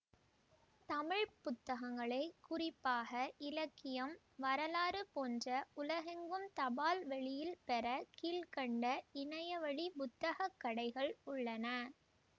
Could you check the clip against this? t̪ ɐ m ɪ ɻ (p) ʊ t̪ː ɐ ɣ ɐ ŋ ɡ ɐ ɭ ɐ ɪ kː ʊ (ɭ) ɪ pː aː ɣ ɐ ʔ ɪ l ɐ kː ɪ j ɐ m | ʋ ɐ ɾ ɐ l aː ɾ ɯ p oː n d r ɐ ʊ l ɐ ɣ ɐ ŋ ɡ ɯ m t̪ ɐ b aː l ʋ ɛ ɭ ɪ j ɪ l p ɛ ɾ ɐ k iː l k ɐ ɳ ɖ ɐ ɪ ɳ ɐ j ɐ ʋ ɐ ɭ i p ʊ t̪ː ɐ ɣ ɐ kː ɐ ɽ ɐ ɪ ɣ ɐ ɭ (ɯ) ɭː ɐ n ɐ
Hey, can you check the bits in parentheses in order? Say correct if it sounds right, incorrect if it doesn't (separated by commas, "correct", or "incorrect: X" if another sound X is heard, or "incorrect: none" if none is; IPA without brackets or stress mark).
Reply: correct, incorrect: r, incorrect: ʊ